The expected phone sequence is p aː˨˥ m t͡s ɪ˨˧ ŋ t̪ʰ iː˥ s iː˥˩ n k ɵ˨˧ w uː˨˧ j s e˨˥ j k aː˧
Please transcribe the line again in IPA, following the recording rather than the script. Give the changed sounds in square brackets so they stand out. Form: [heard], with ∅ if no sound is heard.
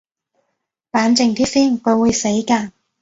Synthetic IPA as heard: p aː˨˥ [n] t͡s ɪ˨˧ ŋ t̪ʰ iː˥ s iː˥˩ n k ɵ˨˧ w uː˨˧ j s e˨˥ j k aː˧